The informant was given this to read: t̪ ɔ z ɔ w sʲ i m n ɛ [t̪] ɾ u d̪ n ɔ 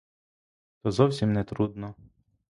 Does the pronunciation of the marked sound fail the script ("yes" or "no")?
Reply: no